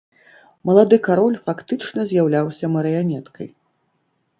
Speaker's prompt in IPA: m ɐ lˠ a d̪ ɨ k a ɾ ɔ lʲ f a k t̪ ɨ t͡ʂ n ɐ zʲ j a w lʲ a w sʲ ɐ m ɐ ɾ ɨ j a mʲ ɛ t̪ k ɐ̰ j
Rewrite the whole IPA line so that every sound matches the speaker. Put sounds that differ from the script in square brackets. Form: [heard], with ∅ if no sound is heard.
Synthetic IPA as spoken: m ɐ lˠ a d̪ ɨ k a ɾ ɔ lʲ f a k t̪ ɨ t͡ʂ n ɐ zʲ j a w lʲ a w sʲ ɐ m ɐ ɾ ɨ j a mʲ ɛ t̪ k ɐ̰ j